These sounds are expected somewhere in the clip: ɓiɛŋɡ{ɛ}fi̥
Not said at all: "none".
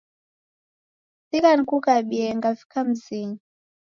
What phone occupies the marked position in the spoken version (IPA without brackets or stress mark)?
a